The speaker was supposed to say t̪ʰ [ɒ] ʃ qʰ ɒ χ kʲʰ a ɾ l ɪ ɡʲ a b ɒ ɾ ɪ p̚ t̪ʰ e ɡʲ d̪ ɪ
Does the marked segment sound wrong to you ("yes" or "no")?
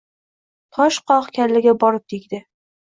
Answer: no